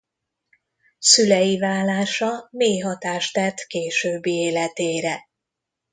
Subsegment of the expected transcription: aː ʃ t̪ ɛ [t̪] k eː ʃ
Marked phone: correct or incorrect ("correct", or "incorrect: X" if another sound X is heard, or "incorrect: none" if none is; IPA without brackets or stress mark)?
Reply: correct